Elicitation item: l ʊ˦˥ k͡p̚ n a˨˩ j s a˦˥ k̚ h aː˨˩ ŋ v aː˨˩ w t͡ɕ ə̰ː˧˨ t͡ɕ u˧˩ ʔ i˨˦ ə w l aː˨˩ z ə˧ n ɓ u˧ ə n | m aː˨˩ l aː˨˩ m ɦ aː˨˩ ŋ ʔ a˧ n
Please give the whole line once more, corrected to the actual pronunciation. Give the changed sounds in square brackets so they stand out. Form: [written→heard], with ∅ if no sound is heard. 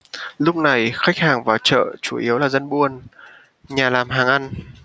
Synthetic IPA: l ʊ˦˥ k͡p̚ n a˨˩ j [s→x] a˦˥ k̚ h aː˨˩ ŋ v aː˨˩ w t͡ɕ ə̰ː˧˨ t͡ɕ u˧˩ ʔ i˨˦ ə w l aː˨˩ z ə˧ n ɓ u˧ ə n | [m→ɲ] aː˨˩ l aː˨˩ m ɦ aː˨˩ ŋ ʔ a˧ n